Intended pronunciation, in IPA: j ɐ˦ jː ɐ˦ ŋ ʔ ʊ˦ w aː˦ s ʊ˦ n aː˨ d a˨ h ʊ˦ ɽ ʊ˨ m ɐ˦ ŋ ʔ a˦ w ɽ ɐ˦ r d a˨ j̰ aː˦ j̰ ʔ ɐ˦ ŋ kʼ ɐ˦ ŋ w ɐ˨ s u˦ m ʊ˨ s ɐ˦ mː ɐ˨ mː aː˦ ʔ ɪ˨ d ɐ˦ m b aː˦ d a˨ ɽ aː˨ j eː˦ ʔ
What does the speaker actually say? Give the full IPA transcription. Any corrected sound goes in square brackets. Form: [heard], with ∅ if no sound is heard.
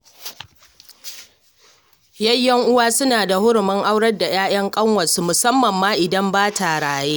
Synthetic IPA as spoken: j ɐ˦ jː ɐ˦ ŋ ʔ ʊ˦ w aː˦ s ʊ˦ n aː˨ d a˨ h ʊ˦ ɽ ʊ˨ m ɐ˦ ŋ ʔ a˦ w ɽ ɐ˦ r d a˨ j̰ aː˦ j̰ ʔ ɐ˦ ŋ kʼ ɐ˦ ŋ w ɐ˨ s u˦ m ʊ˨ s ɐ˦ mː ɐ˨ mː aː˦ ʔ ɪ˨ d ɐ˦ m b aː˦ [t] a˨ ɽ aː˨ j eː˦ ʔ